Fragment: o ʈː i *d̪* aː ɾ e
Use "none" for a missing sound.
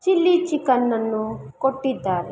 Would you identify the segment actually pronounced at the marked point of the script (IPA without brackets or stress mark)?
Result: d̪ː